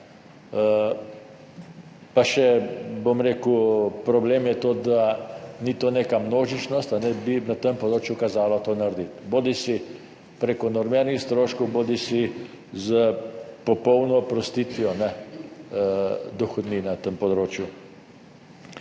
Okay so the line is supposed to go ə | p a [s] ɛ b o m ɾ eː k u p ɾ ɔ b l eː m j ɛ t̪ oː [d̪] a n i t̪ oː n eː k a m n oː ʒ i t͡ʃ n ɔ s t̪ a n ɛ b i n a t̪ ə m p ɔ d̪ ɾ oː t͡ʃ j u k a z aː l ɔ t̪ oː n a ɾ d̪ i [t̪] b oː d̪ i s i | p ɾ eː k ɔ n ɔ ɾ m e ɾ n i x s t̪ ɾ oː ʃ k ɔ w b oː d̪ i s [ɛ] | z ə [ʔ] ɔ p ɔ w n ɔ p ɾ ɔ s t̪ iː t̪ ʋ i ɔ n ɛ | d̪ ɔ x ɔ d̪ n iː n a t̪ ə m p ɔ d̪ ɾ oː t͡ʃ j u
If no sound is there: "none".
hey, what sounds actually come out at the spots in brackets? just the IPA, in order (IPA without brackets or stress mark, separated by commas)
ʃ, d̪, t̪, i, p